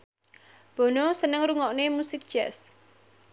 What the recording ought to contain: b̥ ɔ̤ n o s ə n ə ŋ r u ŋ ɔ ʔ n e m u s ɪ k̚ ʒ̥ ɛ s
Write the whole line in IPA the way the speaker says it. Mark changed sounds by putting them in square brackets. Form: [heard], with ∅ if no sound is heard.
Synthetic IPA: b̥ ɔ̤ n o s ə n ə ŋ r u ŋ ɔ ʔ n e m u s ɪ k̚ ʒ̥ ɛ s